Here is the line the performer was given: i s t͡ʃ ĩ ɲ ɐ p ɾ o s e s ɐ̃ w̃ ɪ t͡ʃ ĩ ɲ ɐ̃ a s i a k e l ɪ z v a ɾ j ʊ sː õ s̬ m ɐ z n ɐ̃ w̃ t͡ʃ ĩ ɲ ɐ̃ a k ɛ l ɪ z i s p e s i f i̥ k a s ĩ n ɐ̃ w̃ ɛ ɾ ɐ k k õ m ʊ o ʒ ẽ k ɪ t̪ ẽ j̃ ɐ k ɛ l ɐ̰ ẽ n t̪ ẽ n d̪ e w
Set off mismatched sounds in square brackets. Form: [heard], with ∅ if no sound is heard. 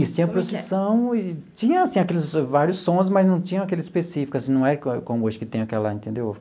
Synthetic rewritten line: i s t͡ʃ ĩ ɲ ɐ p ɾ o s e s ɐ̃ w̃ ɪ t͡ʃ ĩ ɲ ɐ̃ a s [ĩ] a k e l ɪ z v a ɾ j ʊ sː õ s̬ m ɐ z n ɐ̃ w̃ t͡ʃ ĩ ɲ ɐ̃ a k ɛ l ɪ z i s p e s i f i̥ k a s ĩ n ɐ̃ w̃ ɛ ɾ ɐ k k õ m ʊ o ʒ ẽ k ɪ t̪ ẽ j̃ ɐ k ɛ l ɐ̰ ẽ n t̪ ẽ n d̪ e w